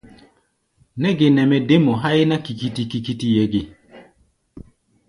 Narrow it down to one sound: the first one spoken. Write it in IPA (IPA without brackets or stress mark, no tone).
n